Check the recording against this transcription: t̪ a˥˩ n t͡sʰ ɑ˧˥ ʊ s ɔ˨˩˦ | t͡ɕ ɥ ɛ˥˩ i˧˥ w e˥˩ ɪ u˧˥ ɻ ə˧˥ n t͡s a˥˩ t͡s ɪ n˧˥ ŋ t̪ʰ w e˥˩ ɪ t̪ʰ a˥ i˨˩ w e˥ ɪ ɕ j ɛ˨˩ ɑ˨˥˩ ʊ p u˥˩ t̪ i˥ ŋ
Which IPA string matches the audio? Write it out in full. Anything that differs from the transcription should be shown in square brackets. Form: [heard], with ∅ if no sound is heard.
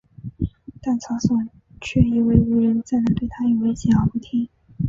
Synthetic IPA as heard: t̪ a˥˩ n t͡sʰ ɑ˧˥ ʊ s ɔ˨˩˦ | [t͡ɕʰ] ɥ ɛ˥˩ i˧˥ w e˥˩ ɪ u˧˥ ɻ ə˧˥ n t͡s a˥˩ [∅] ɪ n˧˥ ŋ [t̪] w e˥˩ ɪ t̪ʰ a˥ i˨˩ w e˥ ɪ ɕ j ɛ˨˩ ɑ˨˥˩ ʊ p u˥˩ [t̪ʰ] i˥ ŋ